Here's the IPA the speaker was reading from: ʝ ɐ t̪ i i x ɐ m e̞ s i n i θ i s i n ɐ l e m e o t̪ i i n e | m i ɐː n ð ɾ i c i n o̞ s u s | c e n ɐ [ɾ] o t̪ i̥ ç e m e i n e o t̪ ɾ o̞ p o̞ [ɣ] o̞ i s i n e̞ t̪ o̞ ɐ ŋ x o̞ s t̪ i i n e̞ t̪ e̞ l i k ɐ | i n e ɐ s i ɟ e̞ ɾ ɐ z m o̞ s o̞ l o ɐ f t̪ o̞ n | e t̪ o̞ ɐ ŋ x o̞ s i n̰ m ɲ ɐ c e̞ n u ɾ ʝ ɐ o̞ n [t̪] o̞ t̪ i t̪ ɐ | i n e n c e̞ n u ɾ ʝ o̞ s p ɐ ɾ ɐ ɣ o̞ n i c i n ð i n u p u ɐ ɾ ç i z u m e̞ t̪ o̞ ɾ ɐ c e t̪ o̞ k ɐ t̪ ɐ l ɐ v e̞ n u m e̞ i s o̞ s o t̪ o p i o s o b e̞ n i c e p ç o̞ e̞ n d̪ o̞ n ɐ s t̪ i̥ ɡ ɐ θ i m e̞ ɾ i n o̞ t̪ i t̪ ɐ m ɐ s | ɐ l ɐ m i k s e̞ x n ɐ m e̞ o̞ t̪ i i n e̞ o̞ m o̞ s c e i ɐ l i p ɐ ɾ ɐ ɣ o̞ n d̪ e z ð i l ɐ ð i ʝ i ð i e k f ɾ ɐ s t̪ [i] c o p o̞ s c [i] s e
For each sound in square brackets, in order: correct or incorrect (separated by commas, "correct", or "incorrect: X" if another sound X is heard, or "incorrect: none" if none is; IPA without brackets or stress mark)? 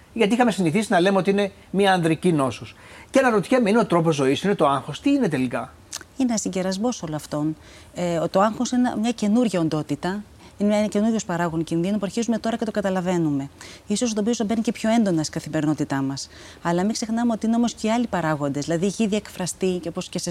correct, incorrect: z, incorrect: d̪, correct, incorrect: e